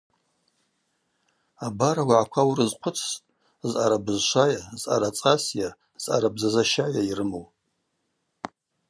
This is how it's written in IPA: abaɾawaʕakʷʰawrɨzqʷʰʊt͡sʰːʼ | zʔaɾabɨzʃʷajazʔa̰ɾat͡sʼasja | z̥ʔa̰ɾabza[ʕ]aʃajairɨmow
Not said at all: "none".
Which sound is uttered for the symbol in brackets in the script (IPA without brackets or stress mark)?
z